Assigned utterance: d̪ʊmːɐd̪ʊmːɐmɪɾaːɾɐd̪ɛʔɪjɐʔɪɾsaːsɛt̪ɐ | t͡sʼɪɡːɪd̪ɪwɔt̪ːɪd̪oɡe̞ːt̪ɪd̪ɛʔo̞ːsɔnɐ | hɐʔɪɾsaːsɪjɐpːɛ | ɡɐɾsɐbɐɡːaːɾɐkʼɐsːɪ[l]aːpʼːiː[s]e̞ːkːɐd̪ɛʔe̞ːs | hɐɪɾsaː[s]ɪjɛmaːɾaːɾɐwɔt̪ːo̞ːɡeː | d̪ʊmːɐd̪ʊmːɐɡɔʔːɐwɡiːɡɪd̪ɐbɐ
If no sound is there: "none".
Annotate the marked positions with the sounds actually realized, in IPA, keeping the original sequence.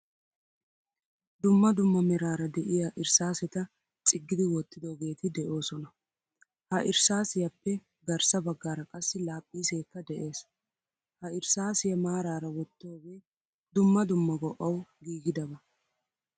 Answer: l, s, s

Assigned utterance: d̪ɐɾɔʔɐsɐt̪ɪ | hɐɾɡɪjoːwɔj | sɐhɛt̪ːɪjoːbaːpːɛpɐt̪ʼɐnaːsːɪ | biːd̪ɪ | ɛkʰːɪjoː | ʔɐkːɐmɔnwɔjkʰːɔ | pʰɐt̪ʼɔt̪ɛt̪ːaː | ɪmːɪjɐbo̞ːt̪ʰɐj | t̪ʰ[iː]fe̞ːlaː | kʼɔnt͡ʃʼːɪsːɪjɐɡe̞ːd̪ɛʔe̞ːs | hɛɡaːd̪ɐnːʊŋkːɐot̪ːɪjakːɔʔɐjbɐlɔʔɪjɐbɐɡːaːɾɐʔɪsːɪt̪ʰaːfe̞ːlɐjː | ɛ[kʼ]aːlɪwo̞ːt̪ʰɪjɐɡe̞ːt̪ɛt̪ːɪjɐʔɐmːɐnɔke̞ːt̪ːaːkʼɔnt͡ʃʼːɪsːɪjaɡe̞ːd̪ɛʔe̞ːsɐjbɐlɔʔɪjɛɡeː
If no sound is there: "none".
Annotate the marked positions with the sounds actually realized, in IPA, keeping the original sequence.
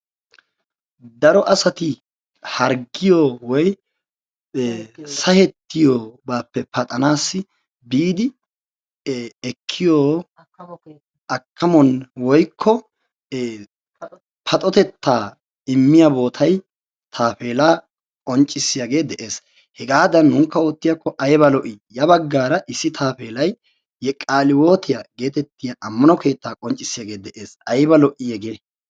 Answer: aː, kʼ

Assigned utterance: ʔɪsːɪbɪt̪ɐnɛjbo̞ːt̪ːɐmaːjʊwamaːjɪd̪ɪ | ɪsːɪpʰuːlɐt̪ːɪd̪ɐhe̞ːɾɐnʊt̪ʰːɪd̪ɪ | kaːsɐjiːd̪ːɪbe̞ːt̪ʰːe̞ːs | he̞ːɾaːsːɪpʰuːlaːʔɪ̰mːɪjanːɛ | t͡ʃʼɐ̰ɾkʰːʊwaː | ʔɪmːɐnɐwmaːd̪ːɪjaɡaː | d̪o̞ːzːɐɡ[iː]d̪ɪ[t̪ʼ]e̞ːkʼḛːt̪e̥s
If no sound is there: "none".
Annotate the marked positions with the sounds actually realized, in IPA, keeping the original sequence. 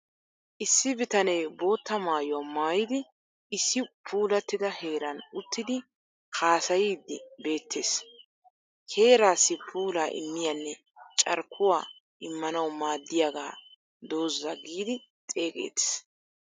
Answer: iː, t̪ʼ

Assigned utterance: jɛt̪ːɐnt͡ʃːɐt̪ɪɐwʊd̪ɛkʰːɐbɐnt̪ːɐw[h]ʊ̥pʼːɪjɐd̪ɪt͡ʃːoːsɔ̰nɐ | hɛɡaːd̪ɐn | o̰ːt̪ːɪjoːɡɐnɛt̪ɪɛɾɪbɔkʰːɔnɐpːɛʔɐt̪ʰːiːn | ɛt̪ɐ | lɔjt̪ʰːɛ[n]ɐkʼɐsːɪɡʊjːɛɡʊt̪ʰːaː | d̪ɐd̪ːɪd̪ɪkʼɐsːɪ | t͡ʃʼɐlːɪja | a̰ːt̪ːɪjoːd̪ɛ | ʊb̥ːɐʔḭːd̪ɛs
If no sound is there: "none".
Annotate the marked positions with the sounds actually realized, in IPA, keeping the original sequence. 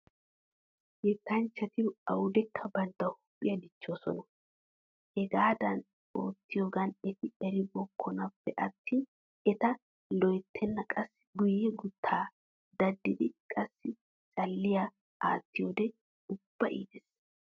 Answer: h, nː

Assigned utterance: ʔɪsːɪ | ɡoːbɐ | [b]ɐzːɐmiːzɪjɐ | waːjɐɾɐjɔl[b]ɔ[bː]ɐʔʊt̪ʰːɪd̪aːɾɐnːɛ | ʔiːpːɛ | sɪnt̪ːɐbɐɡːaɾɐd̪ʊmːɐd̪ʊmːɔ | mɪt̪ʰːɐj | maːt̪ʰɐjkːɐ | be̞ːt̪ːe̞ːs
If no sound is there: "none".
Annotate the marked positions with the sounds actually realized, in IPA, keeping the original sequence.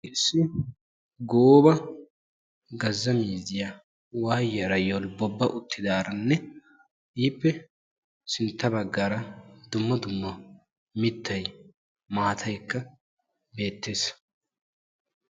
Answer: ɡ, b, bː

